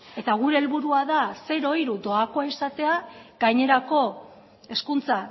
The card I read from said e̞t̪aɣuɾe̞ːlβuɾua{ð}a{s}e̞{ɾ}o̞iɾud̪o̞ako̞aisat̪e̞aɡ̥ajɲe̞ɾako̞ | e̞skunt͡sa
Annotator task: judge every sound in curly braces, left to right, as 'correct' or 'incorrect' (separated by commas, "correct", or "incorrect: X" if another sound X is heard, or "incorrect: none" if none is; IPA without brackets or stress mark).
correct, correct, correct